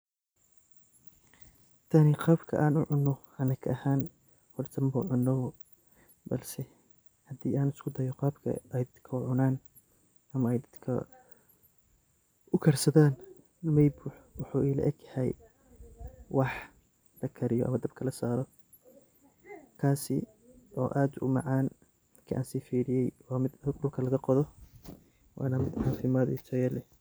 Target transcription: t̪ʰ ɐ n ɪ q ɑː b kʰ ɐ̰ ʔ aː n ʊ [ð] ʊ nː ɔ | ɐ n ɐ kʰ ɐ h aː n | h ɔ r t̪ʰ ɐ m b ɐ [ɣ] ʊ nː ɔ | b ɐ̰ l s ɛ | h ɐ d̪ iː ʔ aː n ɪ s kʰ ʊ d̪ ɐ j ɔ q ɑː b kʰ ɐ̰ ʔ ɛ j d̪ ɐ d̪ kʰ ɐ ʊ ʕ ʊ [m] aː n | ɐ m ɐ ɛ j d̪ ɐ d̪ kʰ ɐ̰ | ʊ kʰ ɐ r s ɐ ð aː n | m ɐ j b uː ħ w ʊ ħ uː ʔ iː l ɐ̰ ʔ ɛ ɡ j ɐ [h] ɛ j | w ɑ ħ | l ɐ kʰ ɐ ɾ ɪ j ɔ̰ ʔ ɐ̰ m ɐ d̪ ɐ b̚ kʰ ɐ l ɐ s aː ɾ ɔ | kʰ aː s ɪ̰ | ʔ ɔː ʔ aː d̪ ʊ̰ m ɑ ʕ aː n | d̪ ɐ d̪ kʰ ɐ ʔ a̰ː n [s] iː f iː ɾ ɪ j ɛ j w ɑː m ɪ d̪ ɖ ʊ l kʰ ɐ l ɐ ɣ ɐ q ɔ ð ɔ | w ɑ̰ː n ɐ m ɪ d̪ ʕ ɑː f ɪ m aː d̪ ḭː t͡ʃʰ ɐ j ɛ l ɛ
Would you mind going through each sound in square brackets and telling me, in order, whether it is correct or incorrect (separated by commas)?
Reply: incorrect, incorrect, incorrect, correct, correct